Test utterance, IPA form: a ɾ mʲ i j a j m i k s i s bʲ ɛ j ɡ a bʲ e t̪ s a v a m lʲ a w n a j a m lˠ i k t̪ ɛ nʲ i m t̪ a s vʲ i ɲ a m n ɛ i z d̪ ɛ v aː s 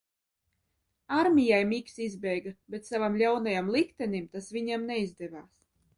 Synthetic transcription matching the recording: a ɾ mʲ i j a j m i k s i z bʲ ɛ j ɡ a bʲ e t̪ s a v a m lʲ a w n a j a m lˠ i k t̪ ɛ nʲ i m t̪ a s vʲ i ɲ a m n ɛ i z d̪ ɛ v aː s